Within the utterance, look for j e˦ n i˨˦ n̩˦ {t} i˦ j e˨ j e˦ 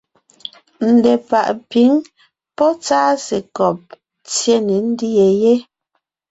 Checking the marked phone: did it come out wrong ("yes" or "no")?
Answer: yes